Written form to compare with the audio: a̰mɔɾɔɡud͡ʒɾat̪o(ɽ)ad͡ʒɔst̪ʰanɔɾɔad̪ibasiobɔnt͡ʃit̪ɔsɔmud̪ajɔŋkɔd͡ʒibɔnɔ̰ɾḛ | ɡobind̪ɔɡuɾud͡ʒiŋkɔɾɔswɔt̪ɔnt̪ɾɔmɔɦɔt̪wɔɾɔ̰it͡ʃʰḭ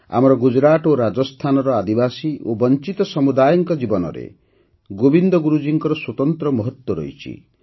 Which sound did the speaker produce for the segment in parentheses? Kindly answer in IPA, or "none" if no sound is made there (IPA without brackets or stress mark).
ɾ